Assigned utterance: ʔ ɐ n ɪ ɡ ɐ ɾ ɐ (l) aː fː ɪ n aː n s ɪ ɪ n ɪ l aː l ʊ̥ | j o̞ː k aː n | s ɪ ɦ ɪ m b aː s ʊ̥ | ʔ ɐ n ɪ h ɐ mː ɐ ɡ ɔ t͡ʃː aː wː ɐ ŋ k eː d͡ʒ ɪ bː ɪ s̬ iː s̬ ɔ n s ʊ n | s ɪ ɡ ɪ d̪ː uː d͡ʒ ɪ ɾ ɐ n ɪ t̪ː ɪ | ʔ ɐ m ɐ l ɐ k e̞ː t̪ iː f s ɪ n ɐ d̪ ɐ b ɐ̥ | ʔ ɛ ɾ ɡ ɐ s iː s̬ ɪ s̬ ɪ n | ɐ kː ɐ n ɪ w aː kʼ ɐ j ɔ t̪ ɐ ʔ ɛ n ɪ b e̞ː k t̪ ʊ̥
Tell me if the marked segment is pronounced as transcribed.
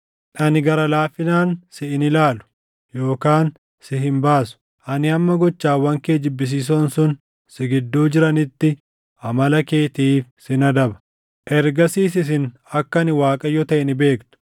yes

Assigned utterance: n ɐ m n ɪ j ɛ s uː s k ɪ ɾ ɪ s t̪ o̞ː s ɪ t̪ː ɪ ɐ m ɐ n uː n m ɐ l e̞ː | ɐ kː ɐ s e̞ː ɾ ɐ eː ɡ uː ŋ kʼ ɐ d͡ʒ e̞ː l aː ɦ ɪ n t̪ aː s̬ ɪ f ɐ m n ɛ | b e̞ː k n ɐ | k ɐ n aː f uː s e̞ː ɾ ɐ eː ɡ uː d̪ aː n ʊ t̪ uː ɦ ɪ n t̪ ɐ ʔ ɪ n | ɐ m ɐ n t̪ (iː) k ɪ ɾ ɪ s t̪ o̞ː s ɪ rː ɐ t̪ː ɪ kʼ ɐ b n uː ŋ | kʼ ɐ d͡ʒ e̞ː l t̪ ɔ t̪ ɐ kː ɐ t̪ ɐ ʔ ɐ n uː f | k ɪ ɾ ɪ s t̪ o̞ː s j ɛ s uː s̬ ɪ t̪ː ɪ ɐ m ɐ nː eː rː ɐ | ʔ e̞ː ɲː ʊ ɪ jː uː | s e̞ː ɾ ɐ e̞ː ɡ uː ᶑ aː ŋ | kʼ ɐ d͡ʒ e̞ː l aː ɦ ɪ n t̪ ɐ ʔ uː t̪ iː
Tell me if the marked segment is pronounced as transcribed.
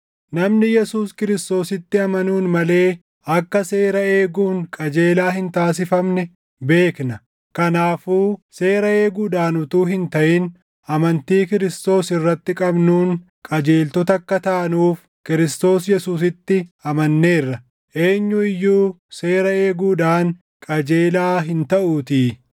yes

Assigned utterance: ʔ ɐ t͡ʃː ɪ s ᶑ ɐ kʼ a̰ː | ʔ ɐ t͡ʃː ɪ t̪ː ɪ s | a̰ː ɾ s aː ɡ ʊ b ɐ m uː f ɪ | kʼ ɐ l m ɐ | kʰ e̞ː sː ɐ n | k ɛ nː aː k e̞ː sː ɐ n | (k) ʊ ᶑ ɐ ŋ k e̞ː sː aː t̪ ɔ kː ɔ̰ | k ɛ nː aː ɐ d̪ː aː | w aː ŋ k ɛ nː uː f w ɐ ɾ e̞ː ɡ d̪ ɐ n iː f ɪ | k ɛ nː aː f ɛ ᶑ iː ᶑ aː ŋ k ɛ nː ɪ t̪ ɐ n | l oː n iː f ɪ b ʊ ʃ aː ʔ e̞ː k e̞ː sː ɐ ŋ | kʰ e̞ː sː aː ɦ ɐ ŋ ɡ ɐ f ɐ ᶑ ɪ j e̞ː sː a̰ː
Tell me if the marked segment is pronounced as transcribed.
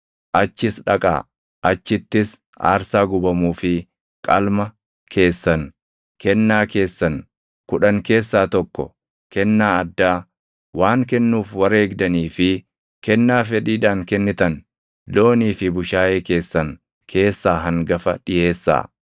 yes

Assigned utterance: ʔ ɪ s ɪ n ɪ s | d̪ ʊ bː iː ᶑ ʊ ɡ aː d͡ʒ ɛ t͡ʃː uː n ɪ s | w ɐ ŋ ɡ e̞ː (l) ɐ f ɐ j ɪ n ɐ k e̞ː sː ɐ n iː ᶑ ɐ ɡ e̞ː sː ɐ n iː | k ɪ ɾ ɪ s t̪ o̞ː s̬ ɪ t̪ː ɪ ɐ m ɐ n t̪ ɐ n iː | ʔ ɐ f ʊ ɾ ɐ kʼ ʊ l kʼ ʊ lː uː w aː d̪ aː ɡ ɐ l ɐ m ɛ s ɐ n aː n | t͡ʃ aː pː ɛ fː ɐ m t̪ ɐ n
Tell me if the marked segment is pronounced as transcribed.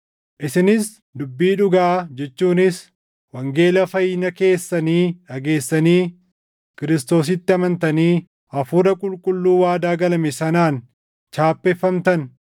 yes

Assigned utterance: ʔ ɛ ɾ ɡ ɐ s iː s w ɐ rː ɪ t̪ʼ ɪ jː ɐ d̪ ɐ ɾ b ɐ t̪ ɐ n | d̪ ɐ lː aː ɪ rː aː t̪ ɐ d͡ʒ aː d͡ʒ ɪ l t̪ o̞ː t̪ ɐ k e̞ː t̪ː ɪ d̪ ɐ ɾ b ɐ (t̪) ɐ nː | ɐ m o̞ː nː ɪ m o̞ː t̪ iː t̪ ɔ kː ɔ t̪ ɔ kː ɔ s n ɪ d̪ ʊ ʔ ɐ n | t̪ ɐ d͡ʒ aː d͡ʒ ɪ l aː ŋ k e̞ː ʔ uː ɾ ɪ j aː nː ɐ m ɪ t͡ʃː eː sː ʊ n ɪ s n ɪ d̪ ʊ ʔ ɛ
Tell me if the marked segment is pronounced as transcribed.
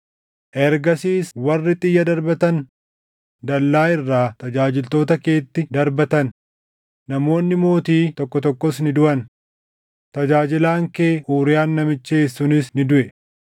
yes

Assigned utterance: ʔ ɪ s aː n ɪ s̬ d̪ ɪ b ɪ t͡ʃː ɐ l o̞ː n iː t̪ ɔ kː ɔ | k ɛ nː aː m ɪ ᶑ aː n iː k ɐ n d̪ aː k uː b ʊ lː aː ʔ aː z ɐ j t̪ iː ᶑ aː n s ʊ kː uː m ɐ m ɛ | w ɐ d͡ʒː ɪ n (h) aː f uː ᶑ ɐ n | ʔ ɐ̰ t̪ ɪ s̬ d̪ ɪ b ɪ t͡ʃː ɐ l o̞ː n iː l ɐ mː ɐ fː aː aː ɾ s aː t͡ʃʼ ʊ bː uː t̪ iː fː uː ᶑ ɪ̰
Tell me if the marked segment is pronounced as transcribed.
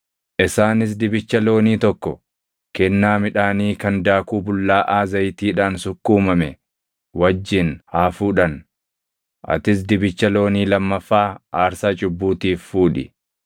yes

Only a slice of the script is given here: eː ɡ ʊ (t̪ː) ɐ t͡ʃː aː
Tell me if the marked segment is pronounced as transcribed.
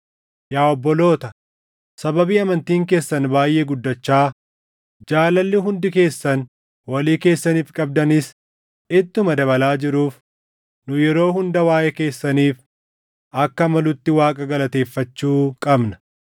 no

